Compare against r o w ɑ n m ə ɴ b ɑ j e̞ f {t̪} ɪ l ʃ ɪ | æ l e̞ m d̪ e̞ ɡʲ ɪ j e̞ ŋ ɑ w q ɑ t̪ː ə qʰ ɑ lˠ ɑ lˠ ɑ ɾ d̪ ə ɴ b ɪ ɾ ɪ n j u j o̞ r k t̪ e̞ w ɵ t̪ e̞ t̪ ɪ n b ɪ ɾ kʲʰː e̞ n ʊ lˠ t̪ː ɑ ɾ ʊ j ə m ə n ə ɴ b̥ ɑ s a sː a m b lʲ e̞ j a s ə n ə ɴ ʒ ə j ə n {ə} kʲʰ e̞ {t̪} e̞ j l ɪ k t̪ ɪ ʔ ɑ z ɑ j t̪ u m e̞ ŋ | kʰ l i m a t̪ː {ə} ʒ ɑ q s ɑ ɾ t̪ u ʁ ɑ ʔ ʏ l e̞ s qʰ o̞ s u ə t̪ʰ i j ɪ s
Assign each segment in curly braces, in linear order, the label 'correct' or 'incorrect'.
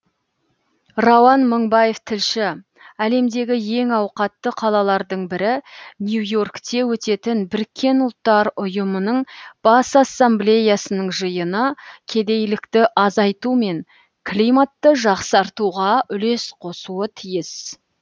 incorrect: t̪ʰ, correct, incorrect: d̪, correct

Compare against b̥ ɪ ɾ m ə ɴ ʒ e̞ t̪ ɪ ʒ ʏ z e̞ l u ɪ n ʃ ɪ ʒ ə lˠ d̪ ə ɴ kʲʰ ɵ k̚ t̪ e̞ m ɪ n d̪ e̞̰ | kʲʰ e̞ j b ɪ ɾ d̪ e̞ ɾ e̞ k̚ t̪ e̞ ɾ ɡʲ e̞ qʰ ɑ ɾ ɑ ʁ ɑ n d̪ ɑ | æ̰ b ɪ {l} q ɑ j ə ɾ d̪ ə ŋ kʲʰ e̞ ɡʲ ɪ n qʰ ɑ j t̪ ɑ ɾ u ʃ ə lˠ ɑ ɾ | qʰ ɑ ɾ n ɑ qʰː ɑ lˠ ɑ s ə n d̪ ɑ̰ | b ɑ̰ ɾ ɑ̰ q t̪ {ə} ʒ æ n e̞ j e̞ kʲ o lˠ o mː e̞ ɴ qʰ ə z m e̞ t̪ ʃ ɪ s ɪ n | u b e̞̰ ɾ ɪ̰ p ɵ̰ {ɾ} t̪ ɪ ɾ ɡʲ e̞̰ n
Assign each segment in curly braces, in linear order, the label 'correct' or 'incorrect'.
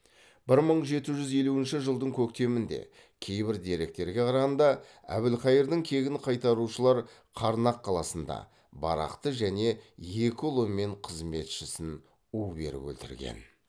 correct, correct, incorrect: l

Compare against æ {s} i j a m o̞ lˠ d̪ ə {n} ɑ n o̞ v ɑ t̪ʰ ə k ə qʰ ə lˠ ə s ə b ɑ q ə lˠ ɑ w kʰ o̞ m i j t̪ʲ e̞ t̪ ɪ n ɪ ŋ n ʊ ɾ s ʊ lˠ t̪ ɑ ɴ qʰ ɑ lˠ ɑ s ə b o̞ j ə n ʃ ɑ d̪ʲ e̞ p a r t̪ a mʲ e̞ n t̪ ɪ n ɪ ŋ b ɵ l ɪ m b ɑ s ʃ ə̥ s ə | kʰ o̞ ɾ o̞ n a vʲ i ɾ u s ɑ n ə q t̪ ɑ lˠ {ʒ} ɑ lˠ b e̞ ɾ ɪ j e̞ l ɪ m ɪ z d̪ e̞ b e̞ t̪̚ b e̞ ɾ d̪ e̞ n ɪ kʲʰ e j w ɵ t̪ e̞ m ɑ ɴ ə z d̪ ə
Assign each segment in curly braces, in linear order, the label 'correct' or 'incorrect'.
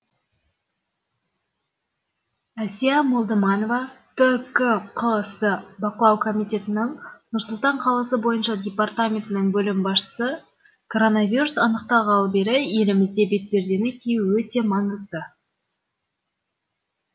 correct, incorrect: m, incorrect: ʁ

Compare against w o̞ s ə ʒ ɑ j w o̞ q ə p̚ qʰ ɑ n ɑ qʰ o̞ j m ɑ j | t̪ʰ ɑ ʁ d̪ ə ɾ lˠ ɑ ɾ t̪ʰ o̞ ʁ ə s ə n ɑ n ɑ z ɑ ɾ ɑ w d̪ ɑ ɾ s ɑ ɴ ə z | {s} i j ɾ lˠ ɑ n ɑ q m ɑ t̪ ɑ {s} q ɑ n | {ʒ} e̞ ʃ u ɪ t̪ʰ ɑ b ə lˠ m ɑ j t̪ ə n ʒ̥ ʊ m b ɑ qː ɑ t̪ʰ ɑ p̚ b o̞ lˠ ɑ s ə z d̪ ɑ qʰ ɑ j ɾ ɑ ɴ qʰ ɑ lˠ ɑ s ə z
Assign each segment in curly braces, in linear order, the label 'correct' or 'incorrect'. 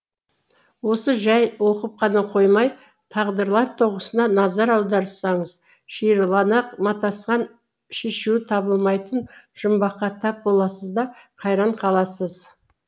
incorrect: ʃ, correct, incorrect: ʃ

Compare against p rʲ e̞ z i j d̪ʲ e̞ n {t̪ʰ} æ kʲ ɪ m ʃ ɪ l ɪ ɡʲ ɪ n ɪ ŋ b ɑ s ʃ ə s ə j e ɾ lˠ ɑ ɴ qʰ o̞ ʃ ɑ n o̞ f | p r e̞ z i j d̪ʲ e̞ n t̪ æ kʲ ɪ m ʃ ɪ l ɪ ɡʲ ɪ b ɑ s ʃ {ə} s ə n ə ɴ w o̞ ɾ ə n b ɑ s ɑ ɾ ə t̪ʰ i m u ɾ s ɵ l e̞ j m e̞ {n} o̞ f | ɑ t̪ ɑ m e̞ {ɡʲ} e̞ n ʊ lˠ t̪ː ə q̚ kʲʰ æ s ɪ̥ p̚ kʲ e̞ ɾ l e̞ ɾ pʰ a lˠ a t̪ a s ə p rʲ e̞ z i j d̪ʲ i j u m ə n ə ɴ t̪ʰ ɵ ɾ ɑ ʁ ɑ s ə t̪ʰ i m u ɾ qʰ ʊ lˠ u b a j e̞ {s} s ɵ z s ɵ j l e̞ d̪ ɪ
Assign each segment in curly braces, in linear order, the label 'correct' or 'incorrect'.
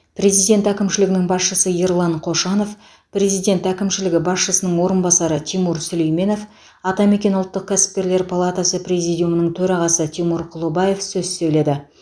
incorrect: t̪, correct, correct, incorrect: kʲ, incorrect: f

